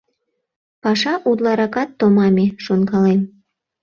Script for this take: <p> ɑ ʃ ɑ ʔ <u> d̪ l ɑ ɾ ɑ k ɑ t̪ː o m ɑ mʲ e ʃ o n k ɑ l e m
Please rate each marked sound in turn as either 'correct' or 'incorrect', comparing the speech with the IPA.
correct, correct

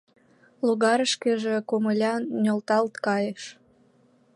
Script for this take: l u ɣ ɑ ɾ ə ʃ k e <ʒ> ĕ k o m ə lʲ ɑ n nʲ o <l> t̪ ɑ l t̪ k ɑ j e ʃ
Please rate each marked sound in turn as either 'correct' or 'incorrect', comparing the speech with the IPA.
correct, correct

